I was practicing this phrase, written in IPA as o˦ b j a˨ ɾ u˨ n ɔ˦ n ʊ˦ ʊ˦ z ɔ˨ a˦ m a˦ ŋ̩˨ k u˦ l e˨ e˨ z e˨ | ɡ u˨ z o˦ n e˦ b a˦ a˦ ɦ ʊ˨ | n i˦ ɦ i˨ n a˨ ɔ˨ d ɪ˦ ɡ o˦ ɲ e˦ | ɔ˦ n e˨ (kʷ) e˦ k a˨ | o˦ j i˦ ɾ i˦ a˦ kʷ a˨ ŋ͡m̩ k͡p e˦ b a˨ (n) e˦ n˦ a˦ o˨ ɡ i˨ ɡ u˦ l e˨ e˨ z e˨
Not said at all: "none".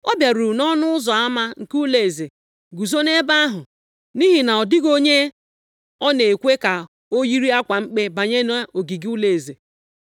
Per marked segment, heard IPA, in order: kʷ, ɲ

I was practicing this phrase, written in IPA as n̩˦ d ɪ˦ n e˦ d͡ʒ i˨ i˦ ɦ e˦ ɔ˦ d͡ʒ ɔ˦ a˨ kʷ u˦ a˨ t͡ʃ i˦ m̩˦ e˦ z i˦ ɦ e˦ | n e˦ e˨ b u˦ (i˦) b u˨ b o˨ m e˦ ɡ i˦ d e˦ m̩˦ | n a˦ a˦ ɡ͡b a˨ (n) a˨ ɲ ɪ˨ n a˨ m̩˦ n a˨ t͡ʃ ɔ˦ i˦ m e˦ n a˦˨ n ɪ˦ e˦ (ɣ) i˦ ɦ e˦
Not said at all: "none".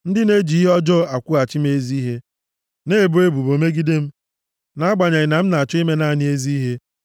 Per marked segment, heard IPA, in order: e˦, ɲ, z

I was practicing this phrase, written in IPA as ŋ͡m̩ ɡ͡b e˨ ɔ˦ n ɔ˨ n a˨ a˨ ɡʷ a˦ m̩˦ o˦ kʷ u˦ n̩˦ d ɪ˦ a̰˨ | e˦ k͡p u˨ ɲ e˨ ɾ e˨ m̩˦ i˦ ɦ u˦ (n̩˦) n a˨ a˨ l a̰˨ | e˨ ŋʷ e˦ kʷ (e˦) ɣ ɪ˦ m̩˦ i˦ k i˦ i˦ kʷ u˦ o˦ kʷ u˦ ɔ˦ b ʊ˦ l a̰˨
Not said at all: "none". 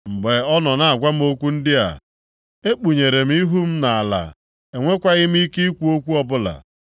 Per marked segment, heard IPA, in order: m̩˦, a˦

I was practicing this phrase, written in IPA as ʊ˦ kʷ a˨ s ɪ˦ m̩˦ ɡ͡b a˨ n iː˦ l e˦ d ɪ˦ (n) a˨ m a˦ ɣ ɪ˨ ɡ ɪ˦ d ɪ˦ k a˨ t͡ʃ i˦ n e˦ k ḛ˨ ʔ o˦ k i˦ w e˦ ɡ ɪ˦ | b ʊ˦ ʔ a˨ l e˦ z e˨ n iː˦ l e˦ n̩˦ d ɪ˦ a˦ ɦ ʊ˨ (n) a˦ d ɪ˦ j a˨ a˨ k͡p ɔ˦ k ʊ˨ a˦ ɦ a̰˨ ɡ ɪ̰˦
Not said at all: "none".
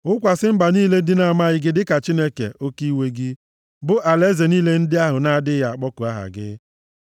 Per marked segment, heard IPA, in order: n, n

